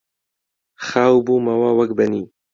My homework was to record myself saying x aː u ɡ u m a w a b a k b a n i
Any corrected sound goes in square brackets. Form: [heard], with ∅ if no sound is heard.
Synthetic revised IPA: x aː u [b] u m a w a [w] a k b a n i